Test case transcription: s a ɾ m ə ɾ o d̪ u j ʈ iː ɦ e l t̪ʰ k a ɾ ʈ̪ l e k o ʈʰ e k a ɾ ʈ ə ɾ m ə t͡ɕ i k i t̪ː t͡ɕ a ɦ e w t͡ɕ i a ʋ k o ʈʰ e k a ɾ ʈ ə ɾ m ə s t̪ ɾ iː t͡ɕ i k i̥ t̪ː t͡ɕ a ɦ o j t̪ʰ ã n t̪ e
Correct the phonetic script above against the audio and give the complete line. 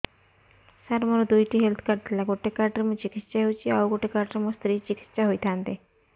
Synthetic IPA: s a ɾ m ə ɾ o d̪ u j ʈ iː ɦ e l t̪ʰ k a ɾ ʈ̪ l a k o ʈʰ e k a ɾ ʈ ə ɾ m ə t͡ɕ i k i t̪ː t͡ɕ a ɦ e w t͡ɕ i a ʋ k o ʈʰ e k a ɾ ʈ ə ɾ m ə s t̪ ɾ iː t͡ɕ i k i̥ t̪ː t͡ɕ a ɦ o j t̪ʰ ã n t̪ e